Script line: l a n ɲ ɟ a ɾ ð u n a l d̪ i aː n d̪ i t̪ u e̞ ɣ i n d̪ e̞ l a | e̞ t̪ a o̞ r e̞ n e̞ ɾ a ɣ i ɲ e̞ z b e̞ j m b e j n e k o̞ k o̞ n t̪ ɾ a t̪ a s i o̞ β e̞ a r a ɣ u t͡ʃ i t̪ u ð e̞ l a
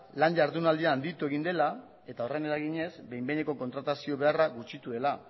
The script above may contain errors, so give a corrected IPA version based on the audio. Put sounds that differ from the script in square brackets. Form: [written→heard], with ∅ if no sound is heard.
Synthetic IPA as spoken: l a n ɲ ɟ a ɾ ð u n a l d̪ i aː n d̪ i t̪ u e̞ ɣ i n d̪ e̞ l a | e̞ t̪ a o̞ r e̞ n e̞ ɾ a ɣ i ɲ e̞ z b e̞ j m b e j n e k o̞ k o̞ n t̪ ɾ a t̪ a s i o̞ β e̞ a r a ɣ u t͡ʃ i t̪ u ð e̞ l a